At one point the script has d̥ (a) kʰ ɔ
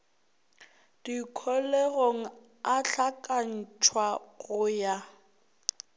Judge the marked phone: incorrect: i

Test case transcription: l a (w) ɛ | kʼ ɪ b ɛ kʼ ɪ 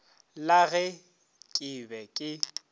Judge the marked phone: incorrect: ɣ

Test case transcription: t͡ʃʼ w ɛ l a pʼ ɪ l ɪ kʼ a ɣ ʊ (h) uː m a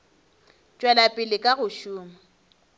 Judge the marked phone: incorrect: ʃ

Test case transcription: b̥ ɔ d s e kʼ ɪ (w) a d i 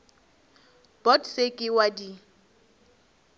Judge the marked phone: correct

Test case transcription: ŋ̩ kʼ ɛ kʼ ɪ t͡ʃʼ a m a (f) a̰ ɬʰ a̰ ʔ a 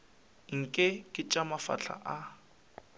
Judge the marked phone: correct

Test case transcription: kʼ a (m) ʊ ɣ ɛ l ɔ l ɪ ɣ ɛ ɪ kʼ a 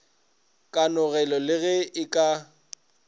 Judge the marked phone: incorrect: n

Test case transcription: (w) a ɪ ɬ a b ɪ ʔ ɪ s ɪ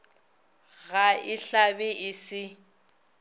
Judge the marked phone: incorrect: ɣ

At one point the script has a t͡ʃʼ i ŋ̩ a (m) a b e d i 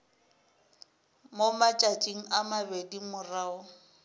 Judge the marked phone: correct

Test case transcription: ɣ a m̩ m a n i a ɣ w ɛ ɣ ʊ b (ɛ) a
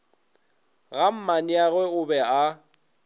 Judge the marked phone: correct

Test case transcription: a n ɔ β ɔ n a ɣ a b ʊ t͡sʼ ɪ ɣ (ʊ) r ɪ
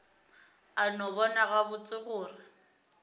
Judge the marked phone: incorrect: ʊː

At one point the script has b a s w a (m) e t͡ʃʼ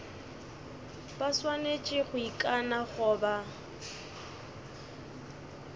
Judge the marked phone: incorrect: n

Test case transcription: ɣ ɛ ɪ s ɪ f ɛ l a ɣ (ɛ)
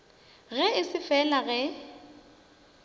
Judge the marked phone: correct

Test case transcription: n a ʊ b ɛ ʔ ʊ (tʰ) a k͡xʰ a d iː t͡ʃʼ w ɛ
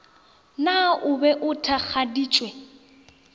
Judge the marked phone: correct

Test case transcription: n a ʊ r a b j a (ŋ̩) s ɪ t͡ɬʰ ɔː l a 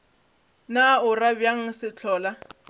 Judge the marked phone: correct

